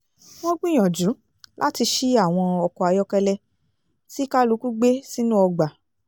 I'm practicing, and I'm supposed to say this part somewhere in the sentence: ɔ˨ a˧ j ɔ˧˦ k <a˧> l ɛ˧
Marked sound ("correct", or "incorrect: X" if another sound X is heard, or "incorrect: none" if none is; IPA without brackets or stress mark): incorrect: ɛ˧